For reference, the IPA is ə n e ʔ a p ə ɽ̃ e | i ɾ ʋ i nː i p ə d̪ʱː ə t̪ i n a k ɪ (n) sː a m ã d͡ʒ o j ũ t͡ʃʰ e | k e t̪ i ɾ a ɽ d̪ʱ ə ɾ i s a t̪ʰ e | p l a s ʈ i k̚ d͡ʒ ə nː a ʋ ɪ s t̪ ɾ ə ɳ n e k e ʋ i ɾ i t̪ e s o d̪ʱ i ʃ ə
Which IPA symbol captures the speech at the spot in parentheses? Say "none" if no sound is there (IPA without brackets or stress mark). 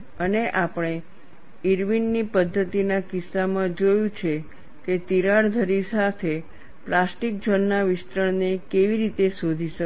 none